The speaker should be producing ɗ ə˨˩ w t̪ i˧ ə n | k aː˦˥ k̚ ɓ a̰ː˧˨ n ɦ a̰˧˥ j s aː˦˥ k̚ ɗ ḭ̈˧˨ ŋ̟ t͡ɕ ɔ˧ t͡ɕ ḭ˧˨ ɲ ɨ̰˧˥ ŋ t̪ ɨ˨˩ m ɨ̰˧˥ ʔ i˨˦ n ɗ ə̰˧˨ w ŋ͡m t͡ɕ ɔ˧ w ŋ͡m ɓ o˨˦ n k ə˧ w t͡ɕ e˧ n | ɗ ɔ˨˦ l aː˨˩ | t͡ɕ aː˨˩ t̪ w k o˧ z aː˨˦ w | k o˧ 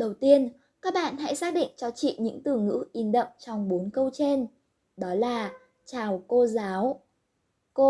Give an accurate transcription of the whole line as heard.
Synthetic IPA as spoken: ɗ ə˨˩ w t̪ i˧ ə n | k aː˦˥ k̚ ɓ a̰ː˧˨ n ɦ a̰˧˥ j s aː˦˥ k̚ ɗ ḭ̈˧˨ ŋ̟ t͡ɕ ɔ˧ t͡ɕ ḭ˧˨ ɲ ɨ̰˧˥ ŋ t̪ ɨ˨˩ ŋ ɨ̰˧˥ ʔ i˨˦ n ɗ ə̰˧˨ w ŋ͡m t͡ɕ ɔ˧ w ŋ͡m ɓ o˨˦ n k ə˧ w t͡ɕ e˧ n | ɗ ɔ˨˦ l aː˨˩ | t͡ɕ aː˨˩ w k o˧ z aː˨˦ w | k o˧